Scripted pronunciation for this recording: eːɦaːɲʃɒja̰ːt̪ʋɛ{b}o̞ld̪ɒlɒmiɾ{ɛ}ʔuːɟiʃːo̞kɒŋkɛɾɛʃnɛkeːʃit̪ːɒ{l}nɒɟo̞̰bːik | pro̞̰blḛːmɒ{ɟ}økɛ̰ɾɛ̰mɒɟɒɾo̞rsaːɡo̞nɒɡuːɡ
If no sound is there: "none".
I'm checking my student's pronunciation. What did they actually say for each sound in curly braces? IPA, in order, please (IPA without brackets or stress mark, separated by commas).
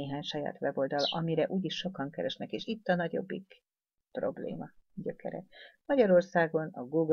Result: b, ɛ, none, ɟ